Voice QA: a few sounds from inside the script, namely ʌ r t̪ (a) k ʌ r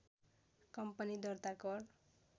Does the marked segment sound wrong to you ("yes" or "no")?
no